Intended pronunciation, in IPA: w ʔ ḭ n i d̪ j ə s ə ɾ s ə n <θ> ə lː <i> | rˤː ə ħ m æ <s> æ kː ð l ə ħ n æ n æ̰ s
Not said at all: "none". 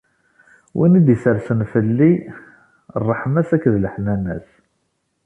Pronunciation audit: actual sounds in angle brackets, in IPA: f, i, s

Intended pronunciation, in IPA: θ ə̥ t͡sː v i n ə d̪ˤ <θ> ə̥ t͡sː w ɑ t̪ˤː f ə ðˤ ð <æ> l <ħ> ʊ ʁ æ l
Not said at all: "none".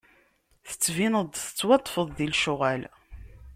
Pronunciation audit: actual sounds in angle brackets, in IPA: θ, i, ʃ

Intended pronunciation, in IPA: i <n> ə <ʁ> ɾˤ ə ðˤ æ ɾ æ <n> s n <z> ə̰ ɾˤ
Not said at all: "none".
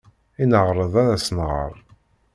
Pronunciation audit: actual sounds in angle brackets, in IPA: n, ʁ, none, ʁ

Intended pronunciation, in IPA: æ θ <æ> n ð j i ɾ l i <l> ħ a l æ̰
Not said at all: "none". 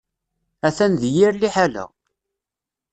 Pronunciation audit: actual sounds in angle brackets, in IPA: æ, none

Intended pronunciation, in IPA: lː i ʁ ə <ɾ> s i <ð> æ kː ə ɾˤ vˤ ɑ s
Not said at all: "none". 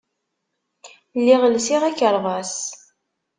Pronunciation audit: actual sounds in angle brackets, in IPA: l, ʁ

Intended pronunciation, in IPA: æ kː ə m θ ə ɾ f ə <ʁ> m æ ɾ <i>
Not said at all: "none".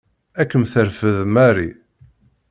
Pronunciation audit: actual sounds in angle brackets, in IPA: ð, i

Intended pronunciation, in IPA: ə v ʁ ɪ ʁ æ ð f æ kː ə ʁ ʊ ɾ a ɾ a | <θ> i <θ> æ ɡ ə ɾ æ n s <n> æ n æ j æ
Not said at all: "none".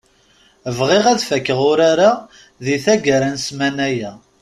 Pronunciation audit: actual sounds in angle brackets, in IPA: ð, θ, m

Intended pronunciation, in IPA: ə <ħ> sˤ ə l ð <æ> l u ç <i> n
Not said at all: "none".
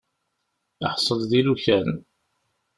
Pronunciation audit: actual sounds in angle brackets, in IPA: ħ, i, æ

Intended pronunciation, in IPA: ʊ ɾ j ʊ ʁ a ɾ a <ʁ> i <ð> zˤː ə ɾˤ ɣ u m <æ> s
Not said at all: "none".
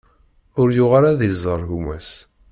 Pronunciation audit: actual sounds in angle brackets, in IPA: ð, none, æ

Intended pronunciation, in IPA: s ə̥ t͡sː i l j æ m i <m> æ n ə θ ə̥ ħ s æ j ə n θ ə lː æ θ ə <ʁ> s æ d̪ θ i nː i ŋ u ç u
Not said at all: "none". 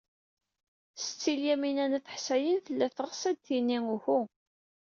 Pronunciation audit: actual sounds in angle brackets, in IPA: n, ʁ

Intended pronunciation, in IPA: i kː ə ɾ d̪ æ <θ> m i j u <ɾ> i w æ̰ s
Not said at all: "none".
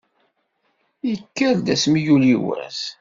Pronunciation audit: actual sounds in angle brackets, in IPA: s, l

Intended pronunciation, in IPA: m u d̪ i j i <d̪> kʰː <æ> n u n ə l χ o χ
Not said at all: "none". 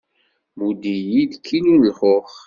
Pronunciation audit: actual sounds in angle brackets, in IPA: d̪, i

